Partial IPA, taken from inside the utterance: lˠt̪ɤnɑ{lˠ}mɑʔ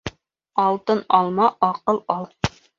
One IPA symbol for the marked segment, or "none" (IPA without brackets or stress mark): lˠ